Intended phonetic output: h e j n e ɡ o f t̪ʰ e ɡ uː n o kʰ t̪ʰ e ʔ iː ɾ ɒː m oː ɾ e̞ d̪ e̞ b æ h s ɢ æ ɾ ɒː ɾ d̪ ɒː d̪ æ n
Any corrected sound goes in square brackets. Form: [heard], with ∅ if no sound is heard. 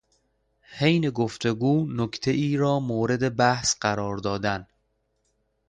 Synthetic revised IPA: h e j n e ɡ o f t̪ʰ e ɡ uː n o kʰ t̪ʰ e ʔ iː ɾ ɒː m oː ɾ e̞ d̪ e̞ b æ h s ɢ æ ɾ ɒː ɾ d̪ ɒː d̪ æ n